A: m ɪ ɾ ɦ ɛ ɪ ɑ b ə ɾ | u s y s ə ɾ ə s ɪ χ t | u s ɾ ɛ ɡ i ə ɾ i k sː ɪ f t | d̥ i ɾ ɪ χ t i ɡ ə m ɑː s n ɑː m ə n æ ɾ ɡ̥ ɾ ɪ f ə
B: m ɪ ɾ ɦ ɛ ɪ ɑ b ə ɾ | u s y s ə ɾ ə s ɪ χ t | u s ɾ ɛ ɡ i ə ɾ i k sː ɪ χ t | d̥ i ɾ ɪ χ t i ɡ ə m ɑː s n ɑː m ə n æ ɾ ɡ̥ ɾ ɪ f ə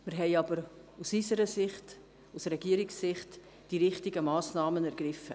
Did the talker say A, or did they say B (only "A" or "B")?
B